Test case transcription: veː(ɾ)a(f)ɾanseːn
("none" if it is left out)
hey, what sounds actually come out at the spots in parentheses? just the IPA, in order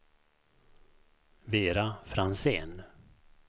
ɾ, f

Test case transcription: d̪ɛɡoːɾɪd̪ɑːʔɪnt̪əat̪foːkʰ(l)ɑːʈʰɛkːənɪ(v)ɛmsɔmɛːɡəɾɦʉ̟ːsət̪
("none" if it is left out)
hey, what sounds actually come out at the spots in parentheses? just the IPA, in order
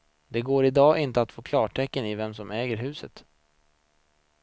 l, v

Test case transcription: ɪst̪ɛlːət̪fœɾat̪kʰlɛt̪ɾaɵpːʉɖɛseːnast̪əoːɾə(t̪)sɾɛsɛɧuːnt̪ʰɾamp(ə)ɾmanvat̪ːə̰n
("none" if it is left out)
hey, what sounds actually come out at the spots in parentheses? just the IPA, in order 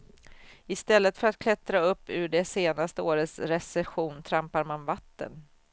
t̪, a

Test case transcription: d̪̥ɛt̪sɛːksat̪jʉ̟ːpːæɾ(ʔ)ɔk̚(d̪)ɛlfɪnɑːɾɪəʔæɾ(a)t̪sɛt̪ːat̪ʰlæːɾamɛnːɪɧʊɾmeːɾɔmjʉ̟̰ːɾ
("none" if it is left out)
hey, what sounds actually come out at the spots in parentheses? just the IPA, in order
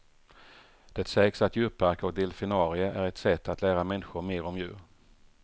k, d̪, ɛ

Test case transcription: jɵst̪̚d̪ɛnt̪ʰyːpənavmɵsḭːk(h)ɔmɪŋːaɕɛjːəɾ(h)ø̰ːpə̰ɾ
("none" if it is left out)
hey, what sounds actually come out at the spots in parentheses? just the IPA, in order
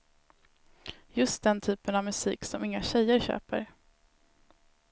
s, ɕ

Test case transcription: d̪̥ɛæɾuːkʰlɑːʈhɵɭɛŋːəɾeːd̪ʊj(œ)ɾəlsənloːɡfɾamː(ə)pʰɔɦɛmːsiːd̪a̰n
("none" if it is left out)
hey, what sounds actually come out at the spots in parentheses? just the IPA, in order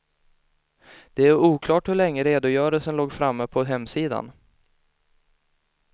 œː, ə

